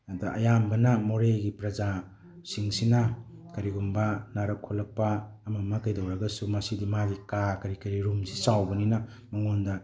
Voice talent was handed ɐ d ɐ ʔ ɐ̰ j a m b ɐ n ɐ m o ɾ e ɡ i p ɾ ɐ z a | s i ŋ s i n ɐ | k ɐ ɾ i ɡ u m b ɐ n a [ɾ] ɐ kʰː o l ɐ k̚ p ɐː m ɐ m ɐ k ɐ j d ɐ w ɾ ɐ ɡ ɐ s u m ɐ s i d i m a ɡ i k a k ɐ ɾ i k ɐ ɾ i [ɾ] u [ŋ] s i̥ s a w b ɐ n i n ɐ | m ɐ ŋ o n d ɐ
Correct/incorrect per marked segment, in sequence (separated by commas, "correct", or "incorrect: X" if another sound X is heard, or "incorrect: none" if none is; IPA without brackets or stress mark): correct, correct, incorrect: m